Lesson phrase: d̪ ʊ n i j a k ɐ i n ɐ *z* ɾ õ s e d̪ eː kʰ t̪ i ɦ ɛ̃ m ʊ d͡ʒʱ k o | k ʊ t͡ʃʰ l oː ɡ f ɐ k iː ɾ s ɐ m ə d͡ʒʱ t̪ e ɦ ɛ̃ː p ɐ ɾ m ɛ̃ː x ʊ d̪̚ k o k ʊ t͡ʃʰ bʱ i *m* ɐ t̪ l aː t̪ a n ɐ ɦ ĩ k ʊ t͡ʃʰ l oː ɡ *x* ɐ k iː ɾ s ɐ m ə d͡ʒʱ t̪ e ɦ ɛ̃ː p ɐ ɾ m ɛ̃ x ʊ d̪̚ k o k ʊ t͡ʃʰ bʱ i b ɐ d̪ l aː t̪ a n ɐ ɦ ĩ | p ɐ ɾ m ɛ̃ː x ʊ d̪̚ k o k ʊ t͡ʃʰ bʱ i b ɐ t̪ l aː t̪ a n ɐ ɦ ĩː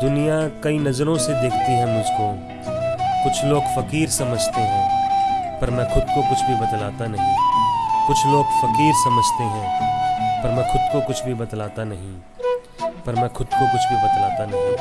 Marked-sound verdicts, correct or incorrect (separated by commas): correct, incorrect, incorrect